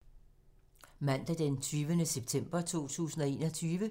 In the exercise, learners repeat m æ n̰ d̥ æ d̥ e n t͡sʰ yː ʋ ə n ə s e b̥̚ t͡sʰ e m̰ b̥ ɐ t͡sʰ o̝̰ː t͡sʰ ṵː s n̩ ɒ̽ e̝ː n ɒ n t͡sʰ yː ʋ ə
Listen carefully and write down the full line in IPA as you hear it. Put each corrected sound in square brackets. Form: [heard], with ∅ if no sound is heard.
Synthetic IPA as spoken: m æ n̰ d̥ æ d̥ e n t͡sʰ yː ʋ ə n ə s e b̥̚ t͡sʰ e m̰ b̥ ɐ t͡sʰ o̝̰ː t͡sʰ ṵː s n̩ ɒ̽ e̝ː n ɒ [∅] t͡sʰ yː ʋ ə